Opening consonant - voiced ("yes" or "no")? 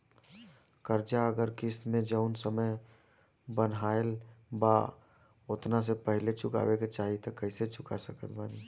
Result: no